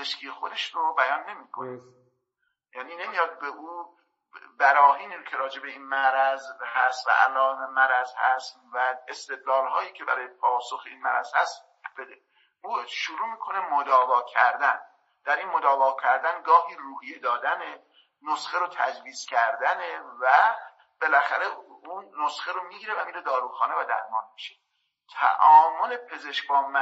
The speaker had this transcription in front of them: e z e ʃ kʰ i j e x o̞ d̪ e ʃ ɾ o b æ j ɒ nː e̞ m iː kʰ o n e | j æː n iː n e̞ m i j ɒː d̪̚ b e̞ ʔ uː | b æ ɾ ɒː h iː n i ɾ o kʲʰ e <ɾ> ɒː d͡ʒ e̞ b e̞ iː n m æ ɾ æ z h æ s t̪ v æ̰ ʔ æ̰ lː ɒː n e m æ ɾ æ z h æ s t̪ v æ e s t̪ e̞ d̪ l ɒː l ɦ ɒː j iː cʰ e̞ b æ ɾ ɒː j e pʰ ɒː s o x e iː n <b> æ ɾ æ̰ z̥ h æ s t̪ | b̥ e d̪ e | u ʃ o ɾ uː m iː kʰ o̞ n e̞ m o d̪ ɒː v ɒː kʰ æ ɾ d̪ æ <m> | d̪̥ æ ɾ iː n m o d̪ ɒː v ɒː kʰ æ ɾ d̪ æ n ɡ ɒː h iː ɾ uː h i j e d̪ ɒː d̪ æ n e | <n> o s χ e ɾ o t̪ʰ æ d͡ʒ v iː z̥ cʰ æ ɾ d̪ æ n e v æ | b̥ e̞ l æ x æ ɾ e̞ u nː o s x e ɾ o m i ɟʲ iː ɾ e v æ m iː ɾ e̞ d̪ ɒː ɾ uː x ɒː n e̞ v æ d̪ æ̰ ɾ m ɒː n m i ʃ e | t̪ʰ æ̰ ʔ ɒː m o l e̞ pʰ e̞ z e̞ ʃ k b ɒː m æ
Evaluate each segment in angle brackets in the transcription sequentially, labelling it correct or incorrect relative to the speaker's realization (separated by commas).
correct, incorrect, incorrect, correct